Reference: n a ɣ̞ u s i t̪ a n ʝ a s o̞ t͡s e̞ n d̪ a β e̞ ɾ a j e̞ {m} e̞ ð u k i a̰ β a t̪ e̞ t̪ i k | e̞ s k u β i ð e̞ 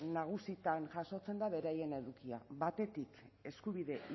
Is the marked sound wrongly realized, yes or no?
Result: yes